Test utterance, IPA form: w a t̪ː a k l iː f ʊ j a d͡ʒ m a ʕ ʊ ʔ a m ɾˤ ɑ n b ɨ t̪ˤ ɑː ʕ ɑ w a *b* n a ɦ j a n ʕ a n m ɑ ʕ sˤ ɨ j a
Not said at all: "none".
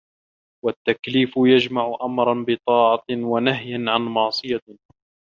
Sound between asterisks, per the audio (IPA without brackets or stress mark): none